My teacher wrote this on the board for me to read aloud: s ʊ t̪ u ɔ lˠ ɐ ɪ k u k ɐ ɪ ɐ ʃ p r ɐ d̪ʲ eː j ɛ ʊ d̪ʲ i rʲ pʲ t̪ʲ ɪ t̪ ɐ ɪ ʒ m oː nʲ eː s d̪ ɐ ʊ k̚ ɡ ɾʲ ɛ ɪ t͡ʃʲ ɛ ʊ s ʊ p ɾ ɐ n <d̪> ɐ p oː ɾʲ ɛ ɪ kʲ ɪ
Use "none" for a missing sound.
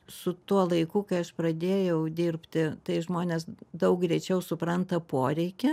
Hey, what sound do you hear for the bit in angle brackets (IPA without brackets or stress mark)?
t̪